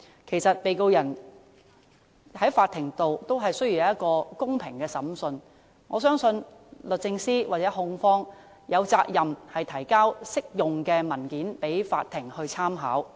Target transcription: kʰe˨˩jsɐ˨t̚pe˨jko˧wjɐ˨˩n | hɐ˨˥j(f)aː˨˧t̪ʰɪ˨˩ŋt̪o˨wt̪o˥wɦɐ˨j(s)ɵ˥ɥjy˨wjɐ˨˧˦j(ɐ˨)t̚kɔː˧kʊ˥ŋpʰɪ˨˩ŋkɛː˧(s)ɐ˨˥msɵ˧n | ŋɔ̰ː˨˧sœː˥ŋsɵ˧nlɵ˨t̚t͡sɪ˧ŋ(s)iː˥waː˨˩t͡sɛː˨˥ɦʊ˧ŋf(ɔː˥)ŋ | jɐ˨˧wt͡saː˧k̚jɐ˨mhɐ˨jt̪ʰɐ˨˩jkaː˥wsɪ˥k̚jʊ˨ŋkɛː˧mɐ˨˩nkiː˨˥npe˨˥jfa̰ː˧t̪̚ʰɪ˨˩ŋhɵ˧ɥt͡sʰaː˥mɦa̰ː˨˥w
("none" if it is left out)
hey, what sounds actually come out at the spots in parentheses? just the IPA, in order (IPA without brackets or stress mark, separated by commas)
f, s, ɐ˥, s, s, ɔː˥